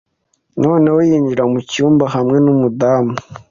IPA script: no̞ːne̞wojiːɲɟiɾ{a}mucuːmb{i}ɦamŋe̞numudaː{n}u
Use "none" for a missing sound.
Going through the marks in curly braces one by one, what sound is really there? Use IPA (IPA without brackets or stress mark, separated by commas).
a, a, m